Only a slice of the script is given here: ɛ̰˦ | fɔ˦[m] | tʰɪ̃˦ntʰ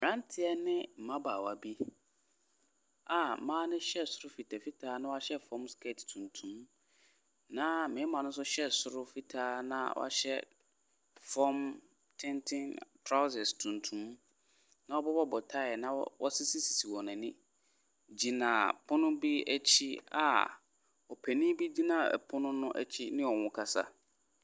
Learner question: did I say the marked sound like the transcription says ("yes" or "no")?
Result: yes